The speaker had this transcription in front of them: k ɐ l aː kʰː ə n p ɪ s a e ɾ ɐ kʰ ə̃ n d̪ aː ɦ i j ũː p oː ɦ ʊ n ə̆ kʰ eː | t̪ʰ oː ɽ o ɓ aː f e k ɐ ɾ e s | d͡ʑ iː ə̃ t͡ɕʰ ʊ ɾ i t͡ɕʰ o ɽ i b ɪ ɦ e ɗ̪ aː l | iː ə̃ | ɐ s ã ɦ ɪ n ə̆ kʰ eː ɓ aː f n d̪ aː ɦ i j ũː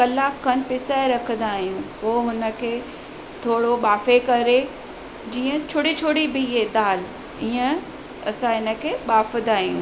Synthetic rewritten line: k ɐ l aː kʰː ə n p ɪ s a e ɾ ɐ kʰ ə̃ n d̪ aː ɦ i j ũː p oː ɦ ʊ n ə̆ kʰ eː | t̪ʰ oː ɽ o ɓ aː f e k ɐ ɾ e | d͡ʑ iː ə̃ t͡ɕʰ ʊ ɽ i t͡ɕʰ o ɽ i b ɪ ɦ e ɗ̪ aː l | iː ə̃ | ɐ s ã ɦ ɪ n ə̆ kʰ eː ɓ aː f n d̪ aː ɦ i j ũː